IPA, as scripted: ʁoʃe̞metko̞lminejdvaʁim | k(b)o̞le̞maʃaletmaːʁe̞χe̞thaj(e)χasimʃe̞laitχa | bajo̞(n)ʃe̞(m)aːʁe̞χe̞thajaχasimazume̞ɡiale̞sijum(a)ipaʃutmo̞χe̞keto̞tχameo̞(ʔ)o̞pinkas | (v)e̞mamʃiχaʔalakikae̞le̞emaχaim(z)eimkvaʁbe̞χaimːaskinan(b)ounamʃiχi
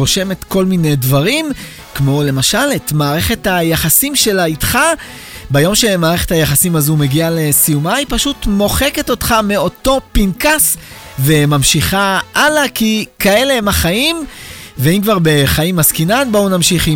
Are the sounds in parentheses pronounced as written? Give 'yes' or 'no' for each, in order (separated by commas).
no, no, no, yes, yes, no, yes, no, yes